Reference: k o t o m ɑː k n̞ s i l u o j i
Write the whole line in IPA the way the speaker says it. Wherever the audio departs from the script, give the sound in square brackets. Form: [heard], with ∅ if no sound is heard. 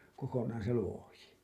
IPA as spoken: k o [k] o [n] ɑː [∅] n̞ s [e] l u o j i